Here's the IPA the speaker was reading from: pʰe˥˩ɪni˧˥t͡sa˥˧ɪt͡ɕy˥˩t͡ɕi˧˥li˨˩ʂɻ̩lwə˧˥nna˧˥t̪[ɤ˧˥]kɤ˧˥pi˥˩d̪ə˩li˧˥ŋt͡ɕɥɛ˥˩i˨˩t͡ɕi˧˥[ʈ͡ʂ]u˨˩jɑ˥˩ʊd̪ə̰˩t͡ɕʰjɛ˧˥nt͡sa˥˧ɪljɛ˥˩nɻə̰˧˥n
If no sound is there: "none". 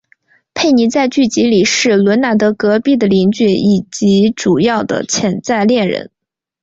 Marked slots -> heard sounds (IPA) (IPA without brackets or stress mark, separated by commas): ɤ˧˥, ʈ͡ʂ